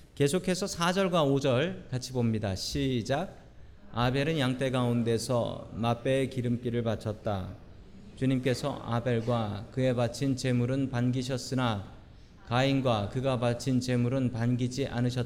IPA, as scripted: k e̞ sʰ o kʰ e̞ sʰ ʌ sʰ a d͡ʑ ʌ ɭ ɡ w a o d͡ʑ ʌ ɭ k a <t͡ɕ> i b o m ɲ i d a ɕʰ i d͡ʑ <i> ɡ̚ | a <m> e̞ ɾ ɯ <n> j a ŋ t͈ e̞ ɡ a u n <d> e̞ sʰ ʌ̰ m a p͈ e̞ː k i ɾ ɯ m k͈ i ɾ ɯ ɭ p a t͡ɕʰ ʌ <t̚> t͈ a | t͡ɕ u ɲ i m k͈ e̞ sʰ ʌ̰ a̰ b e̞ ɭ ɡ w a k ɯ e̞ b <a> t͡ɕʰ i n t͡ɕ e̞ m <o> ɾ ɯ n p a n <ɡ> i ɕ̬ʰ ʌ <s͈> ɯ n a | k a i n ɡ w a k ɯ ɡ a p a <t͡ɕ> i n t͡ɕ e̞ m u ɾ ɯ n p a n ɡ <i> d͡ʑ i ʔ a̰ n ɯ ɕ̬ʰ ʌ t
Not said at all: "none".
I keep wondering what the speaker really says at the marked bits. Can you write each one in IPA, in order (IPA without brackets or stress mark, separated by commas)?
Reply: t͡ɕʰ, a, b, n, d, t̚, a, u, ɡ, s͈, t͡ɕʰ, i